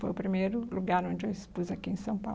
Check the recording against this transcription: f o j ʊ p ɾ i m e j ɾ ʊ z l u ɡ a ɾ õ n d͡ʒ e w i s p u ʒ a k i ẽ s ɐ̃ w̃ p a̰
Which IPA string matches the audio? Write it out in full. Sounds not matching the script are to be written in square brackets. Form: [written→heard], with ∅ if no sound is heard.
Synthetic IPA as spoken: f o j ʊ p ɾ i m e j ɾ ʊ [z→∅] l u ɡ a ɾ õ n d͡ʒ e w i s p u [ʒ→z] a k i ẽ s ɐ̃ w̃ p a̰